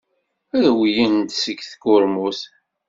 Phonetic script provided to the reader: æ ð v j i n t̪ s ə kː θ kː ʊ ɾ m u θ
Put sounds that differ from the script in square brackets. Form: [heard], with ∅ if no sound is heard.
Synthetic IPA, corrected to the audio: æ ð [w] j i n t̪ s ə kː θ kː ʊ ɾ m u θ